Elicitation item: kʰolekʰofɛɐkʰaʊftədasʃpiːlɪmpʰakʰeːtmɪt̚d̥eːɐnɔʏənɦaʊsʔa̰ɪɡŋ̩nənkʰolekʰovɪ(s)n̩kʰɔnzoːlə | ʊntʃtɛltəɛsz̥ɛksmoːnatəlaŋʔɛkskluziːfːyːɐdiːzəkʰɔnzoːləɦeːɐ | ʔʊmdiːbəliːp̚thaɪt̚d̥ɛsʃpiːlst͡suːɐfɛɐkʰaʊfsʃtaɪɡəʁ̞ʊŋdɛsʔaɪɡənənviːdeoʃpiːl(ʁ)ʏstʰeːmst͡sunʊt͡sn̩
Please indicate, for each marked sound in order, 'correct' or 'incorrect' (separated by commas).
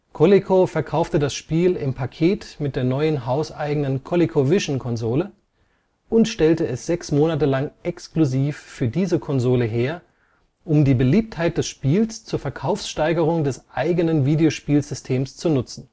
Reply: incorrect, incorrect